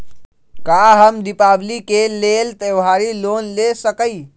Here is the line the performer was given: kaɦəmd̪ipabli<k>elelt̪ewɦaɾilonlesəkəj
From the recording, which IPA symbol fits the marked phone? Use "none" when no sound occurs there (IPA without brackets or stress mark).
k